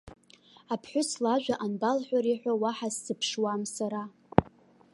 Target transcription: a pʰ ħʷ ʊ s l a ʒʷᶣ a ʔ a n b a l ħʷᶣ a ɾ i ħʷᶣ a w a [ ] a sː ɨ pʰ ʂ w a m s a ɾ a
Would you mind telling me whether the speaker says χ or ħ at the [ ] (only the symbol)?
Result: ħ